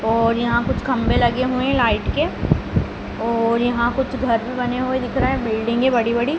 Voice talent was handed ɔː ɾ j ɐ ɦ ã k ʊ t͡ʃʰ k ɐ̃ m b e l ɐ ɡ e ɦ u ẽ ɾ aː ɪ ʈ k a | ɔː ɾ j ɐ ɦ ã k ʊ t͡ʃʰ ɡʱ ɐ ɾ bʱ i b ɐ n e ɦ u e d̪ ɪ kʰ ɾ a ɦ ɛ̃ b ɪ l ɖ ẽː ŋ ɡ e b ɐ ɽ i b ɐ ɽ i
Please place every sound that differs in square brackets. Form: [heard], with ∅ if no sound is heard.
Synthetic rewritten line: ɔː ɾ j ɐ ɦ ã k ʊ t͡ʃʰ k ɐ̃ m b e l ɐ ɡ e ɦ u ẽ [l] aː ɪ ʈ k [e] | ɔː ɾ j ɐ ɦ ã k ʊ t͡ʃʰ ɡʱ ɐ ɾ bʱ i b ɐ n e ɦ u e d̪ ɪ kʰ ɾ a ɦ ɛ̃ b ɪ l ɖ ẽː ŋ ɡ e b ɐ ɽ i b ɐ ɽ i